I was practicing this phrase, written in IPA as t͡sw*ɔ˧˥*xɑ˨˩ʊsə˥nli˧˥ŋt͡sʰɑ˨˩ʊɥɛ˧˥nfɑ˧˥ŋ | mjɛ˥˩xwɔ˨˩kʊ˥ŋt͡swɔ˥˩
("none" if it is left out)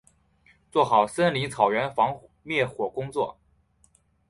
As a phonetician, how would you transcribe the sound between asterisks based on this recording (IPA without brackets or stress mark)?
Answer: ɔ˥˩